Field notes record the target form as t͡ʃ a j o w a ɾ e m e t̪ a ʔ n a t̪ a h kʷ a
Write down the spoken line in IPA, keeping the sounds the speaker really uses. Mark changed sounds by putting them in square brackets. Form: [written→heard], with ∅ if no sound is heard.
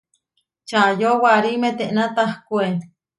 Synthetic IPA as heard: t͡ʃ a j o w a ɾ [e→i] m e t̪ [a→e] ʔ n a t̪ a h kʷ [a→e]